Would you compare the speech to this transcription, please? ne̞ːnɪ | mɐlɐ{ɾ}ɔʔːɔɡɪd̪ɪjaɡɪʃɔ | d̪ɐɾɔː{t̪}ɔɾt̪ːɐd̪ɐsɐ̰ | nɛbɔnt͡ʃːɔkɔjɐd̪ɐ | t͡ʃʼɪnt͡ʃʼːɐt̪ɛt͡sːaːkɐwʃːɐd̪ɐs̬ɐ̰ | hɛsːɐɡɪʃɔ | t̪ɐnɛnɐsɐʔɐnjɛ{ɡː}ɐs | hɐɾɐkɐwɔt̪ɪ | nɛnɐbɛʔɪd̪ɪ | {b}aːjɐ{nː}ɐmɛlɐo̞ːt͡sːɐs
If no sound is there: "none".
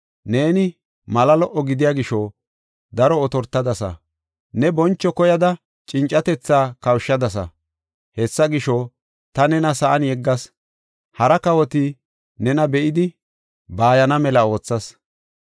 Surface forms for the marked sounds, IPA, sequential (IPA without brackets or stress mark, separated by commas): l, t̪, ɡː, b, n